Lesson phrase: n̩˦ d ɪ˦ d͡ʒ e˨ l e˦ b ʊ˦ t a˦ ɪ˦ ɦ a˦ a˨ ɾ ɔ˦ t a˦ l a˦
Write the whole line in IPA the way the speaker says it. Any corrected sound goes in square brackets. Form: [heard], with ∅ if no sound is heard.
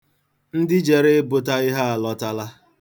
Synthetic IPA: n̩˦ d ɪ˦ d͡ʒ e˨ [ɾ] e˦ b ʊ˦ t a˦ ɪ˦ ɦ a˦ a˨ [l] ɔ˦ t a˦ l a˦

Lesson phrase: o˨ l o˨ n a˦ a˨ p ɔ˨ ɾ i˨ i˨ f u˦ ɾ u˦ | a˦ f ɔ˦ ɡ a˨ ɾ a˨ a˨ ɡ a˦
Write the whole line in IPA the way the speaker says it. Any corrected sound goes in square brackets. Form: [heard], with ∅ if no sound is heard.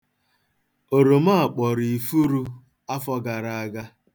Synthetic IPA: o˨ [ɾ] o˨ [m] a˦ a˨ [k͡p] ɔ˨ ɾ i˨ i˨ f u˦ ɾ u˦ | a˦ f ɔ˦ ɡ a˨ ɾ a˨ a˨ ɡ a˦

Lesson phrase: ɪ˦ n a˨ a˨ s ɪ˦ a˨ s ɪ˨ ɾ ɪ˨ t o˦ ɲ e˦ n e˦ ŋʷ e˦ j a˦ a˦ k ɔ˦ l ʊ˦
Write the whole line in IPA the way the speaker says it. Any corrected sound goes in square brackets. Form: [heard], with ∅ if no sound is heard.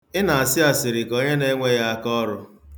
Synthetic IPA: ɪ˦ n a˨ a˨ s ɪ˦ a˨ s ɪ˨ ɾ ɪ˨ [k] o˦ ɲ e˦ n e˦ ŋʷ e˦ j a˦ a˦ k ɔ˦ [ɾ] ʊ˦

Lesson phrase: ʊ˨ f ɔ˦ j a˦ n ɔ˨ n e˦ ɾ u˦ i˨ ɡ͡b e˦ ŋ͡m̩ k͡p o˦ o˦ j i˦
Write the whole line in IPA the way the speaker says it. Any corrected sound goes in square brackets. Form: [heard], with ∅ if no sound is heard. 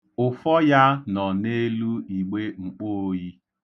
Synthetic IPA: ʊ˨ f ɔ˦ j a˦ n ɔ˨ n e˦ [l] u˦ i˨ ɡ͡b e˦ ŋ͡m̩ k͡p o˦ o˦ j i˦

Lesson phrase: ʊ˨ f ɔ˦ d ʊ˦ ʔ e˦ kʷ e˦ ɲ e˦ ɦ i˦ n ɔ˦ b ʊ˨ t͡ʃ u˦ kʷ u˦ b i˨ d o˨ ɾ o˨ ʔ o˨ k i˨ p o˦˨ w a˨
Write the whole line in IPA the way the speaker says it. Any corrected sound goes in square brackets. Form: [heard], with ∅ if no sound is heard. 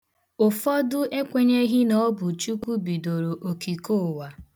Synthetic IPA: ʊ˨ f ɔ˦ d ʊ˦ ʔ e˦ kʷ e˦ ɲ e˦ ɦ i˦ n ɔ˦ b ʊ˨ t͡ʃ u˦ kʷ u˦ b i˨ d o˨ ɾ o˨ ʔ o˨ k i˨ [k] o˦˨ w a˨

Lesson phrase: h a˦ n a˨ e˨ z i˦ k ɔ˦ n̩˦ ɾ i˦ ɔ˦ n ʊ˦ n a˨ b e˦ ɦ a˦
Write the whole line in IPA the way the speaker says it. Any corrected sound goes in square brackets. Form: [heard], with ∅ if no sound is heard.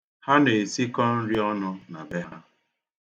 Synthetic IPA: h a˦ n [e˨] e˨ [s] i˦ k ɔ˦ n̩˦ ɾ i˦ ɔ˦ n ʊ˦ n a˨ b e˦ ɦ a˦

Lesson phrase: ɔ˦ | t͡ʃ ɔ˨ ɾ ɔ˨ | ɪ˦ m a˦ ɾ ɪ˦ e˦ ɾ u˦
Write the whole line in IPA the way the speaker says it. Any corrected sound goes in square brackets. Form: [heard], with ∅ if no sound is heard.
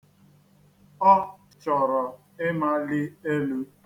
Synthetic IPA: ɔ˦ | t͡ʃ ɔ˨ ɾ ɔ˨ | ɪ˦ m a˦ [l] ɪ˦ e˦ [l] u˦

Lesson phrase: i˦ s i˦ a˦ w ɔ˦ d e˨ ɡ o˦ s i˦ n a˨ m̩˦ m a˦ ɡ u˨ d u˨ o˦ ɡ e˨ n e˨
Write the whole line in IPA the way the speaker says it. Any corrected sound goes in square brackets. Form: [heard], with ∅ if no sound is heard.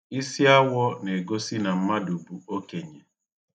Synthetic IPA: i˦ s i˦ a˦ w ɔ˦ [n] e˨ ɡ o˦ s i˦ n a˨ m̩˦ m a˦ [d] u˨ [b] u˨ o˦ [k] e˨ [ɲ] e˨

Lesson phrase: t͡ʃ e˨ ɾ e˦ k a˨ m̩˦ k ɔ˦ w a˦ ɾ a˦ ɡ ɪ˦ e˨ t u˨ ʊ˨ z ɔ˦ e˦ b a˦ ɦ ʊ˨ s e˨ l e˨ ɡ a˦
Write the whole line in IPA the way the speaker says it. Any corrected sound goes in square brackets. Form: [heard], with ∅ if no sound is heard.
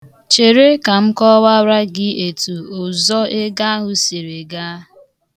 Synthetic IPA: t͡ʃ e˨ ɾ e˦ k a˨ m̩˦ k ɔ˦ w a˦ ɾ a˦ ɡ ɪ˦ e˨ t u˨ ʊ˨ z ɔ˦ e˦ [ɡ] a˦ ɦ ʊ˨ s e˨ [ɾ] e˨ ɡ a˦

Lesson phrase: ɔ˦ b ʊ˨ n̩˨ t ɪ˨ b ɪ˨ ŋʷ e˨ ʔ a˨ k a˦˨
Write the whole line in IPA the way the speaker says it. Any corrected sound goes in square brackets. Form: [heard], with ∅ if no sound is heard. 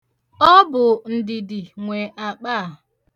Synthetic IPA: ɔ˦ b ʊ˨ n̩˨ [d] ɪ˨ [d] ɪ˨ ŋʷ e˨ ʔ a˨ [k͡p] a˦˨

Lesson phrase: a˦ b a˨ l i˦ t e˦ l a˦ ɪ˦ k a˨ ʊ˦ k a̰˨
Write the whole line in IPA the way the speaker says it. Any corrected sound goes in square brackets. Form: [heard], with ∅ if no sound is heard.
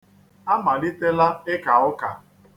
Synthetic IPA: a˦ [m] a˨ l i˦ t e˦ l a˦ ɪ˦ k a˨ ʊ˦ k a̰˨

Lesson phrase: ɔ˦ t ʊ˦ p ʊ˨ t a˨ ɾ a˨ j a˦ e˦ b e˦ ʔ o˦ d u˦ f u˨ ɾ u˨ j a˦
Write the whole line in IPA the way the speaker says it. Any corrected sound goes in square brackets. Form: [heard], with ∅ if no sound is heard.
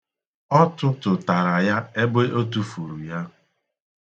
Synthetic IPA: ɔ˦ t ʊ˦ [t] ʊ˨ t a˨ ɾ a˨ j a˦ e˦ b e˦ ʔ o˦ [t] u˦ f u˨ ɾ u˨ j a˦

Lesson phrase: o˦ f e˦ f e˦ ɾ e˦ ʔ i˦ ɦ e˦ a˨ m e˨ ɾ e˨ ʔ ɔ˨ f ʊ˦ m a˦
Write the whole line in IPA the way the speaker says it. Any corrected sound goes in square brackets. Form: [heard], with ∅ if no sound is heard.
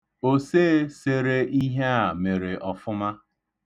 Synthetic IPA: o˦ [s] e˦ [s] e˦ ɾ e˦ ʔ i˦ ɦ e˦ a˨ m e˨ ɾ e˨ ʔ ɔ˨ f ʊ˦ m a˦

